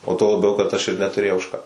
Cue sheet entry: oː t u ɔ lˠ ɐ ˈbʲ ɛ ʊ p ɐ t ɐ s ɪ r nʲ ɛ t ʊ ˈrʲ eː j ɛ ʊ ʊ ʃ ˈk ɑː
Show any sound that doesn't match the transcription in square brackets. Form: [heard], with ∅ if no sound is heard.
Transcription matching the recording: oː t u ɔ lˠ ɐ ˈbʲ ɛ ʊ [k] ɐ t ɐ [ʃ] ɪ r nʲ ɛ t ʊ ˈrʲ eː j ɛ ʊ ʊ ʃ ˈk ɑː